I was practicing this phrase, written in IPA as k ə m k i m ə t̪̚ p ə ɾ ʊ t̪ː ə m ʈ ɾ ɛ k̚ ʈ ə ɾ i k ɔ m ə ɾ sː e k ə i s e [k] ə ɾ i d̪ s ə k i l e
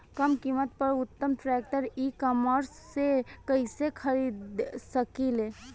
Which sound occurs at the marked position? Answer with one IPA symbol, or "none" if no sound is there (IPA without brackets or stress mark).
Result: kʰ